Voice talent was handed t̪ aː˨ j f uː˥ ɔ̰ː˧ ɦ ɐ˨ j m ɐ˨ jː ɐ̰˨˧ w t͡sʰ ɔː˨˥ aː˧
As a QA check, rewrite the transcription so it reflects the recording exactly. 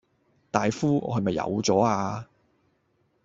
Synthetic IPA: t̪ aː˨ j f uː˥ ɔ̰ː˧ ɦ ɐ˨ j m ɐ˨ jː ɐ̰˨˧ w t͡s ɔː˨˥ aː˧